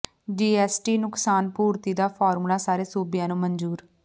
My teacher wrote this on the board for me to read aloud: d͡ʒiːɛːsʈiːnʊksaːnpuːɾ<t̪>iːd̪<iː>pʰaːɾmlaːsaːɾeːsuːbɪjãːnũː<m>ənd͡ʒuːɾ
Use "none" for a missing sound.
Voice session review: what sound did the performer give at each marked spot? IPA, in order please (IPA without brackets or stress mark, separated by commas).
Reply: t̪, aː, m